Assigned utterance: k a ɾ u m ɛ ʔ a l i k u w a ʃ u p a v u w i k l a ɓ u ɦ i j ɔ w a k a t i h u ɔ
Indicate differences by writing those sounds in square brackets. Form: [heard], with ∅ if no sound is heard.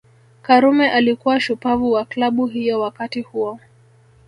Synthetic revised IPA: k a ɾ u m ɛ ʔ a l i k u w a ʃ u p a v u w [a] k l a ɓ u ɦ i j ɔ w a k a t i h u ɔ